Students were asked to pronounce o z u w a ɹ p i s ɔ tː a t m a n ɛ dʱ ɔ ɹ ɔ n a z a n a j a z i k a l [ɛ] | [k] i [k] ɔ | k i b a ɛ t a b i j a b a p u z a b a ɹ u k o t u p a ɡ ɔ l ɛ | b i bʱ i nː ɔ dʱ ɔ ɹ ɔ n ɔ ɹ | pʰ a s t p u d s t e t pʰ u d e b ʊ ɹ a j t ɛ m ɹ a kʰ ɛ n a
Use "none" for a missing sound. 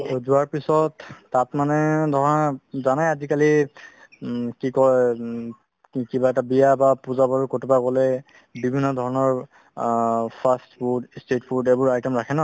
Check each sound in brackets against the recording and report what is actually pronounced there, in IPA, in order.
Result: i, k, k

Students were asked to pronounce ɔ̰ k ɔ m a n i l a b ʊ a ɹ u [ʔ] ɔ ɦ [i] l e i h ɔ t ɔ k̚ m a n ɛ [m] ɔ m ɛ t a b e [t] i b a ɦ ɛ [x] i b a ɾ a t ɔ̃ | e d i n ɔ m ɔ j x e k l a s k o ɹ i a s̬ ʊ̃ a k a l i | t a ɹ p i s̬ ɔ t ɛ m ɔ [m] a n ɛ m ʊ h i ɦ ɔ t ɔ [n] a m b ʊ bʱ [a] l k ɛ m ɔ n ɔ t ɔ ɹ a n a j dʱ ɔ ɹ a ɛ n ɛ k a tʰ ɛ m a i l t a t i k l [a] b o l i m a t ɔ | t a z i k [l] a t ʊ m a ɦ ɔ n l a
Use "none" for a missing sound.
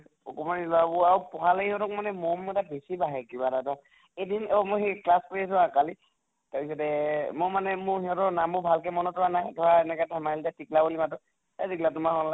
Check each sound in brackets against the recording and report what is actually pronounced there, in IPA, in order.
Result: p, a, m, s, k, m, n, a, a, l

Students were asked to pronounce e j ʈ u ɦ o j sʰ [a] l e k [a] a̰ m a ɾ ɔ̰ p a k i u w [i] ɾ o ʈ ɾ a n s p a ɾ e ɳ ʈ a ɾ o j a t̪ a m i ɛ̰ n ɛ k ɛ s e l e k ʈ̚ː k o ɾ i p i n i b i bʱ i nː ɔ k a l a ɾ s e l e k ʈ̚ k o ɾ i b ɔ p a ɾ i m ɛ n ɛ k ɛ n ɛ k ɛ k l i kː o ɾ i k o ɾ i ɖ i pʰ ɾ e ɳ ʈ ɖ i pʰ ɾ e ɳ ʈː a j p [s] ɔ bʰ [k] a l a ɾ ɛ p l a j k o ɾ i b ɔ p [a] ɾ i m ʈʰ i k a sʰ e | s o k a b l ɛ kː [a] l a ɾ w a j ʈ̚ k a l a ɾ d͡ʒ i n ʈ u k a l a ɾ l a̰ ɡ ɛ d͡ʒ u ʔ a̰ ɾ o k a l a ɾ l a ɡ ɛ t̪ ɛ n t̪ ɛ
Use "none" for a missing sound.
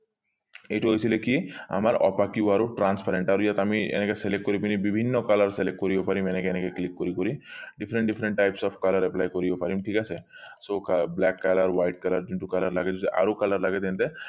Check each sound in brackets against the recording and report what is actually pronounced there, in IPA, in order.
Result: i, i, a, s, k, a, a

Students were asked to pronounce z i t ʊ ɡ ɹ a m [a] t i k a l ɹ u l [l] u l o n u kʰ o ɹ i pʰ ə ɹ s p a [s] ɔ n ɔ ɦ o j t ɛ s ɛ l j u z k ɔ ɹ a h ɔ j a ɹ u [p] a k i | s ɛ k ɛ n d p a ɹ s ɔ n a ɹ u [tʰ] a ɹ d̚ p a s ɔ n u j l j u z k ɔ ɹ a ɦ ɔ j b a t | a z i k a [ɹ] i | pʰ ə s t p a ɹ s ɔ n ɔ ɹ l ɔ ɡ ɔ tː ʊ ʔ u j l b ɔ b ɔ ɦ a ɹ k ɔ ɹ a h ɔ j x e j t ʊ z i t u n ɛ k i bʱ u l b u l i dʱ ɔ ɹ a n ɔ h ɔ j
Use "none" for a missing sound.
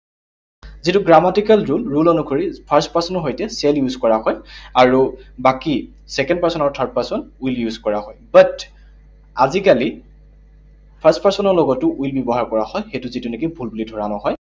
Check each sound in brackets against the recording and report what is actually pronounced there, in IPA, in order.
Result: a, ɹ, s, b, tʰ, l

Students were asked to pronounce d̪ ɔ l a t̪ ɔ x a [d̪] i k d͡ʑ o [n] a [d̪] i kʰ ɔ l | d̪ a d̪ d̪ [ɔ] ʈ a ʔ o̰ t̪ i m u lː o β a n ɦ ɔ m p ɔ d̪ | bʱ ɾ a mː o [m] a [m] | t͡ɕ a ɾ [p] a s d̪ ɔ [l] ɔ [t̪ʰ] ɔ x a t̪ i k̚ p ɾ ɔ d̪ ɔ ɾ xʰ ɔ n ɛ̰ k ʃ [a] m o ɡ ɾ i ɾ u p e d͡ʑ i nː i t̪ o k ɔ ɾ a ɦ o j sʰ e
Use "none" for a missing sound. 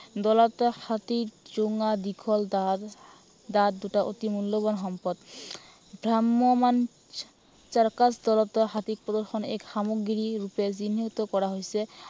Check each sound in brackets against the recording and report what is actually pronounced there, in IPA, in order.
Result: t̪, ŋ, d̪, u, m, n, k, l, t̪, a

